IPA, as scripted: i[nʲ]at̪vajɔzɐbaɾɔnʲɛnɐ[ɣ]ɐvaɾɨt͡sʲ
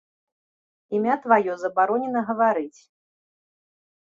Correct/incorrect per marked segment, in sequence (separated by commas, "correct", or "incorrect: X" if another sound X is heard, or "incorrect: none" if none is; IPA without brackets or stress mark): incorrect: mʲ, correct